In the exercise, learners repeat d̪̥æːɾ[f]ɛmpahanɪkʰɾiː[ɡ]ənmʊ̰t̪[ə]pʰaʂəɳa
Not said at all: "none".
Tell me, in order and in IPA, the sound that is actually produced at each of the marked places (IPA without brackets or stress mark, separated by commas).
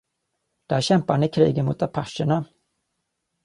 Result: ɕ, ɡ, a